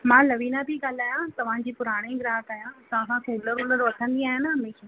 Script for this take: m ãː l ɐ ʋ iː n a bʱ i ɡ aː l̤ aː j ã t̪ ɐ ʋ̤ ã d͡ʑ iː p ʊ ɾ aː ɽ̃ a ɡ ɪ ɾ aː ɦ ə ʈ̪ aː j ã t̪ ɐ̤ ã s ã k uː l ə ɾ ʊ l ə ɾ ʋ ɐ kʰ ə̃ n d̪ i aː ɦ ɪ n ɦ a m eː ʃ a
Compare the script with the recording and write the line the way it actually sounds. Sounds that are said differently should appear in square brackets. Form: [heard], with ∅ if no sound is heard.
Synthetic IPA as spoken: m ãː l ɐ ʋ iː n a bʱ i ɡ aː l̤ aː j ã t̪ ɐ ʋ̤ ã d͡ʑ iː p ʊ ɾ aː ɽ̃ [e] ɡ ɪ ɾ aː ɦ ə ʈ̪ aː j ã t̪ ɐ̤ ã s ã k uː l ə ɾ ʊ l ə ɾ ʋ ɐ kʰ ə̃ n d̪ i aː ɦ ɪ n ɦ [ɐ] m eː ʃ a